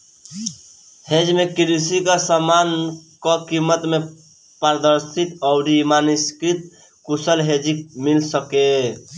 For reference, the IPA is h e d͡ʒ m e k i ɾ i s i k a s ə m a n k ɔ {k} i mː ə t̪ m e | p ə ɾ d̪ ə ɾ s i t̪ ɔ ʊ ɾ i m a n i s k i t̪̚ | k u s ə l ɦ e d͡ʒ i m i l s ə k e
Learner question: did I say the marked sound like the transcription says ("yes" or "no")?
yes